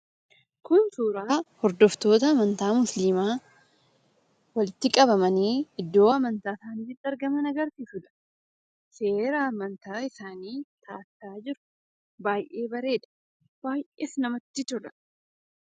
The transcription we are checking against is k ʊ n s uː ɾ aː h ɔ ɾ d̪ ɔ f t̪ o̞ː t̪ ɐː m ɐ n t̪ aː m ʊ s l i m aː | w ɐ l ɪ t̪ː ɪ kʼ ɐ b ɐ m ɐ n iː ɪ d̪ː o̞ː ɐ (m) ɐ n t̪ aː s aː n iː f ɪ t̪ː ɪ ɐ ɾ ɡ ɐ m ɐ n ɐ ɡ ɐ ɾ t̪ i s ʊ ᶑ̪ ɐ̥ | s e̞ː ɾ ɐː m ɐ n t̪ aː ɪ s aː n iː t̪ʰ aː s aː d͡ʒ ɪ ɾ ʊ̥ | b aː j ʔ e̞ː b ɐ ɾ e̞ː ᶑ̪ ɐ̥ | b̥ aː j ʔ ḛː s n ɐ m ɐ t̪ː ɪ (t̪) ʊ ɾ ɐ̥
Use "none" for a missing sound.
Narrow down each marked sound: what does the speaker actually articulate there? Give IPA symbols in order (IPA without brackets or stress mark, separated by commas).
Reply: m, t̪